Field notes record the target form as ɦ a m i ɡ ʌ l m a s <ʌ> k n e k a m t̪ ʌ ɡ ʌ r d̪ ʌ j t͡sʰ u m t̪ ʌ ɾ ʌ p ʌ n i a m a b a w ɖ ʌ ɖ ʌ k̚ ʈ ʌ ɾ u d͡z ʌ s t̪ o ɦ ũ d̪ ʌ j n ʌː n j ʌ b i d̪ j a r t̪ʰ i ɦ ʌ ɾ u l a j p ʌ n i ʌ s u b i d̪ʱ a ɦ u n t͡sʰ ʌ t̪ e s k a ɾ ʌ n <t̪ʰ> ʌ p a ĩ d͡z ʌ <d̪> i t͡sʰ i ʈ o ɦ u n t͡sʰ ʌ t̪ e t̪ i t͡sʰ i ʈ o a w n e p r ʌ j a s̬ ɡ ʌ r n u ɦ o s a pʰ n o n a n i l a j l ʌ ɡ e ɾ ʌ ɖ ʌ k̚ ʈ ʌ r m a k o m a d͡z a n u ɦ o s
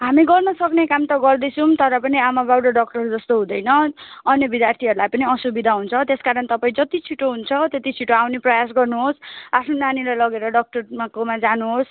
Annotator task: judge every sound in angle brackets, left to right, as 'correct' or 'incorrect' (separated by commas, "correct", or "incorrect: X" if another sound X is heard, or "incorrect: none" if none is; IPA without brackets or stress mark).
correct, incorrect: t̪, incorrect: t̪